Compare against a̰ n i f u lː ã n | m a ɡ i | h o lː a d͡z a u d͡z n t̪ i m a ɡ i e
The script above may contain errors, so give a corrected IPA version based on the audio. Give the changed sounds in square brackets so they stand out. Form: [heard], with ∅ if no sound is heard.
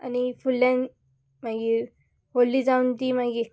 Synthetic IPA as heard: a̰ n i f u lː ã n | m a ɡ i | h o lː [i] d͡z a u [∅] n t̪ i m a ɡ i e